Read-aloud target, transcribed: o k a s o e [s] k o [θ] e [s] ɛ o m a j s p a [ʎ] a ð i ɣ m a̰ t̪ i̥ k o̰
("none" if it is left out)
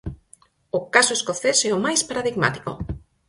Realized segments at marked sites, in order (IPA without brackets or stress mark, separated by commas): s, θ, s, ɾ